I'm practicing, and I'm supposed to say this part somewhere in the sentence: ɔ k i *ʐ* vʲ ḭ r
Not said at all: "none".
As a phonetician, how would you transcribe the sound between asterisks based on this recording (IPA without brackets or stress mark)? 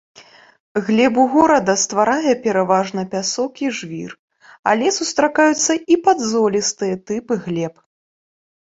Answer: ʐ